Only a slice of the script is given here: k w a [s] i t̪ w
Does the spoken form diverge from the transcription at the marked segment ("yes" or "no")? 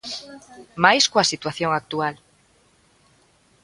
no